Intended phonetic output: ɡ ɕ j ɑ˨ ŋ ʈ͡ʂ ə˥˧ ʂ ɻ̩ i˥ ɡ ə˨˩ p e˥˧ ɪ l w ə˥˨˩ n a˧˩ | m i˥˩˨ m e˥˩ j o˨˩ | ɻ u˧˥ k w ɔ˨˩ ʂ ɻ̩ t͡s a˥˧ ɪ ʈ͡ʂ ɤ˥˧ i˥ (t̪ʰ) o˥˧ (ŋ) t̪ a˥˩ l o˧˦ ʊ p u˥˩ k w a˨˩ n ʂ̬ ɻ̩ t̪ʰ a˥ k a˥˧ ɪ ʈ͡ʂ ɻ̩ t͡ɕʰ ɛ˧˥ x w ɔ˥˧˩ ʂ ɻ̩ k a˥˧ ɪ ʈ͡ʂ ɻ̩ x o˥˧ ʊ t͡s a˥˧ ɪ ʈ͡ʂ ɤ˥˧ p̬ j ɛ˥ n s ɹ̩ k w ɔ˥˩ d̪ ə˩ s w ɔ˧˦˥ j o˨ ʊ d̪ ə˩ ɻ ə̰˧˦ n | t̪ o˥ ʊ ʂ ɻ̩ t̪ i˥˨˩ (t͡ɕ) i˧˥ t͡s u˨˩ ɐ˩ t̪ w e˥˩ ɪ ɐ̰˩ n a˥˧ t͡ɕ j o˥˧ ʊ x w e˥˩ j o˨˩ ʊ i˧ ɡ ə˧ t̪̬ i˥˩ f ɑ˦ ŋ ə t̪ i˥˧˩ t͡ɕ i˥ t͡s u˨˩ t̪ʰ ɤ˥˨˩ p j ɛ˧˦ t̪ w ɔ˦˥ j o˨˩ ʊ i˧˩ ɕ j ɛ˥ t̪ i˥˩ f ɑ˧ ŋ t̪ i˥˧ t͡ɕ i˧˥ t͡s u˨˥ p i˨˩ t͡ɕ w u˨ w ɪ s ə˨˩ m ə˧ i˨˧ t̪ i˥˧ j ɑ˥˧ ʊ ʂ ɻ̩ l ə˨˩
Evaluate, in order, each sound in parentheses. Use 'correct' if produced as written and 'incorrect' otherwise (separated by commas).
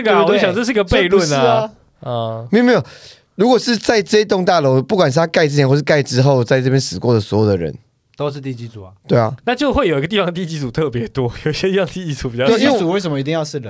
incorrect, correct, correct